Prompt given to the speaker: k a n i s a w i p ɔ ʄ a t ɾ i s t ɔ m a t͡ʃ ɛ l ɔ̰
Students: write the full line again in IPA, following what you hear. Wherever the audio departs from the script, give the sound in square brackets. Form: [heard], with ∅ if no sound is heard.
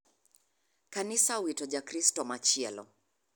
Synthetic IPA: k a n i s a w i [t] ɔ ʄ a [k] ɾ i s t ɔ m a t͡ʃ ɛ l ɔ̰